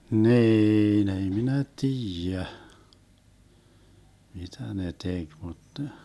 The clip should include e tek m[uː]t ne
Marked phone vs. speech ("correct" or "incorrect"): incorrect